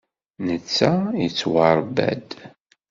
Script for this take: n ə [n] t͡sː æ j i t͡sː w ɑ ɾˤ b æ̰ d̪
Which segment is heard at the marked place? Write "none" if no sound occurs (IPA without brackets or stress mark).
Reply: none